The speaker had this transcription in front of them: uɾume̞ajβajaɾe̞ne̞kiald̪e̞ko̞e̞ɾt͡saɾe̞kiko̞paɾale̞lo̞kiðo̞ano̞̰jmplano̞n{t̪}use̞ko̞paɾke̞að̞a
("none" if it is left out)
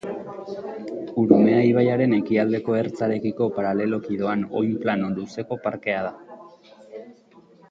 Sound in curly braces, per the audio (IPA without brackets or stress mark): d̪